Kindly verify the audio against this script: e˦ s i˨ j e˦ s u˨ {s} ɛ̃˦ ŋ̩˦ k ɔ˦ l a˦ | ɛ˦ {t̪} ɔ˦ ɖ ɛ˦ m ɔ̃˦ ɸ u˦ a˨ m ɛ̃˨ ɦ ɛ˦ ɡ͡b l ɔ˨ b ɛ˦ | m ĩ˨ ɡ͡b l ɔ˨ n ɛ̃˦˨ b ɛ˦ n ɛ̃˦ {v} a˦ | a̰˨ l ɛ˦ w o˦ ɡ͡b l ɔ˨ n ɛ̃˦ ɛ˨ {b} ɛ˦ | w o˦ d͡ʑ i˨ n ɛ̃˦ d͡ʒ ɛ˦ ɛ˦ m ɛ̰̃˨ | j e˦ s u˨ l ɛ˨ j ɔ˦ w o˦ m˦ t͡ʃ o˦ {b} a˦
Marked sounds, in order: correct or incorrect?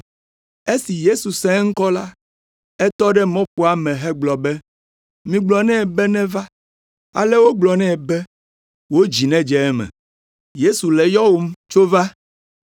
correct, correct, correct, correct, incorrect: v

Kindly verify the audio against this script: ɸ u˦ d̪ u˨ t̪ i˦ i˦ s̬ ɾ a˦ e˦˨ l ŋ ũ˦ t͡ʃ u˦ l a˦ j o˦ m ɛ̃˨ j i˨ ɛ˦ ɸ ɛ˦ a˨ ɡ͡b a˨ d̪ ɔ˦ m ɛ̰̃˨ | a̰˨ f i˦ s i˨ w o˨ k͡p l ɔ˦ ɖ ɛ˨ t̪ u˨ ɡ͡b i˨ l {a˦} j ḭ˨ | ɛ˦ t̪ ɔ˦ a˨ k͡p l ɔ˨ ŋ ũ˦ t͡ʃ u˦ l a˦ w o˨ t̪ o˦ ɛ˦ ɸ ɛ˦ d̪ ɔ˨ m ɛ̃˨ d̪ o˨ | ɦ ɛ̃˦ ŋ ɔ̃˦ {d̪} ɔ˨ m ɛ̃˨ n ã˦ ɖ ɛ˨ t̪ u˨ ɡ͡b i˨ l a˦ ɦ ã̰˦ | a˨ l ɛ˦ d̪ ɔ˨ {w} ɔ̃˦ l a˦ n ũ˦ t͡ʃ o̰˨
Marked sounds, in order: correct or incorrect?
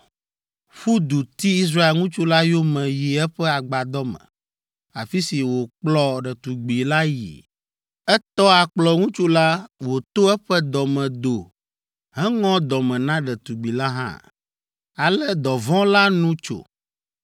correct, correct, incorrect: v

